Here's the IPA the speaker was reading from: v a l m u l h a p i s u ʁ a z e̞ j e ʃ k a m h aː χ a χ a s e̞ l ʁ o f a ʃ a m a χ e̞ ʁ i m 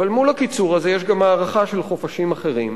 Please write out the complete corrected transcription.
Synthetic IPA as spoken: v a l m u l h a k i t͡s u ʁ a z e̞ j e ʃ ɡ a m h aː ʁ a χ a ʃ e̞ l χ o f a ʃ i m a χ e̞ ʁ i m

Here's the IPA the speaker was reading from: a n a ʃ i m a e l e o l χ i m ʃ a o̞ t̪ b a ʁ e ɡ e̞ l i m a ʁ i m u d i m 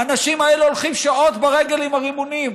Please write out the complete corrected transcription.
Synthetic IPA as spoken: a n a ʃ i m a e l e o l χ i m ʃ a o̞ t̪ b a ʁ e ɡ e̞ l i m a ʁ i m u n i m

